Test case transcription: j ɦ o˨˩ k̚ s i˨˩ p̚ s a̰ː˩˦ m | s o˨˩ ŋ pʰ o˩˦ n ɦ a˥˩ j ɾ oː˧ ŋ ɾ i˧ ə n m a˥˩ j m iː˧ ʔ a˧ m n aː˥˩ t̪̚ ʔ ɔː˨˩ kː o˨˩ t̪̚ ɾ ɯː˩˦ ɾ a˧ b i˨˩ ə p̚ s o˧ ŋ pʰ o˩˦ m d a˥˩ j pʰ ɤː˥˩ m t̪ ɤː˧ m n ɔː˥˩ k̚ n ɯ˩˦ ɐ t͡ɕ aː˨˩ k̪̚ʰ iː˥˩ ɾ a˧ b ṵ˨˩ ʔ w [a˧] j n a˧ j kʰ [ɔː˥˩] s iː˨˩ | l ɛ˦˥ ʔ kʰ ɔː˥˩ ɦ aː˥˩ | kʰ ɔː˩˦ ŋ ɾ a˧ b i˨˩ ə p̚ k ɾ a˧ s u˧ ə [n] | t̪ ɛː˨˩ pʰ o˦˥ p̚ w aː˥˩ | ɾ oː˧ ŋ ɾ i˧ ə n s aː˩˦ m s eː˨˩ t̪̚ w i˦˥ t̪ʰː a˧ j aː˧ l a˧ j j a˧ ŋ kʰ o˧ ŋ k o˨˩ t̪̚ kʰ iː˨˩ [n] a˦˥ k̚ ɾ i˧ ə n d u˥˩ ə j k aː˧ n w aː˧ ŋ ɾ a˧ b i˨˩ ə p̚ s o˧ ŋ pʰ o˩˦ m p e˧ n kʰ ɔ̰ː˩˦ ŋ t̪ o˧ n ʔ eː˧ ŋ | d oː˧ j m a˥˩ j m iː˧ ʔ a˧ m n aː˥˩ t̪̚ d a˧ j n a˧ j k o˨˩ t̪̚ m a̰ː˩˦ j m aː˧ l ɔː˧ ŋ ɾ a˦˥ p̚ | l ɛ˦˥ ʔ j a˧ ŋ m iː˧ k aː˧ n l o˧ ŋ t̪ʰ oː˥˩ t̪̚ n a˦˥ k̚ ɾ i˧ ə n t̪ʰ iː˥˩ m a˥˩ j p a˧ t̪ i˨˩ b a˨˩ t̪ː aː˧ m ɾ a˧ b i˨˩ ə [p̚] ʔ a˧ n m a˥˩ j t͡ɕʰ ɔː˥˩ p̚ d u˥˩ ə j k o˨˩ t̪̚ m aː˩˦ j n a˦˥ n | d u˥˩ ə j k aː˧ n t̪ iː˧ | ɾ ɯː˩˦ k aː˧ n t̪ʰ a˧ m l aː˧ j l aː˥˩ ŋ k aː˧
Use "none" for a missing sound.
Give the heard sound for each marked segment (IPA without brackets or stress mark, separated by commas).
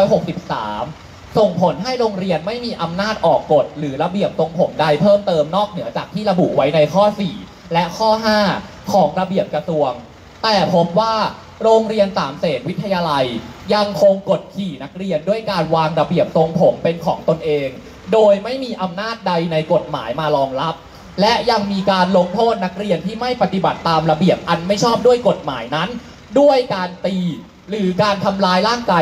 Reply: a˦˥, ɔː˥˩, ŋ, n, p̚